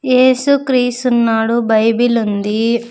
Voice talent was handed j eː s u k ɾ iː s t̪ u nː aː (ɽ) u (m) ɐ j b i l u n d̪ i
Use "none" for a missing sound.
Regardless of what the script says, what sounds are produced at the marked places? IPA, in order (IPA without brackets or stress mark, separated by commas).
ɽ, b